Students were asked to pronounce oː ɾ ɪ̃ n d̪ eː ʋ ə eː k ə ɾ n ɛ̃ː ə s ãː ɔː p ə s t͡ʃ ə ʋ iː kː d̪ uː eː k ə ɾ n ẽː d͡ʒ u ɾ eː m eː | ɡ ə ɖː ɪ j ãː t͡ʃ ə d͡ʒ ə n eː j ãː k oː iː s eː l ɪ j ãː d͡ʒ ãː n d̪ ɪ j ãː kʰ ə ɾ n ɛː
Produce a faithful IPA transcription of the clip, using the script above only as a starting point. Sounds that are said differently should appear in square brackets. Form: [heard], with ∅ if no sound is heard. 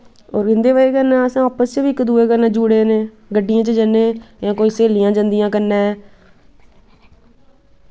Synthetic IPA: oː ɾ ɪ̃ n d̪ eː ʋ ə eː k ə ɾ n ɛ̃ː ə s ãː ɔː p ə s t͡ʃ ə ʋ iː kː d̪ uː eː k ə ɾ n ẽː d͡ʒ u [ɽ] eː [n] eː | ɡ ə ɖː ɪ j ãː t͡ʃ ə d͡ʒ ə n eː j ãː k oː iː s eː l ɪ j ãː d͡ʒ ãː n d̪ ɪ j ãː [k] ə ɾ n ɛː